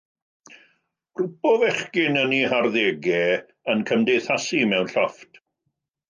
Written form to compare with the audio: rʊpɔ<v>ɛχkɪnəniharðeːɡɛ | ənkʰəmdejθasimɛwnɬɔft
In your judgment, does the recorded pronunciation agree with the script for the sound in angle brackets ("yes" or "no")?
yes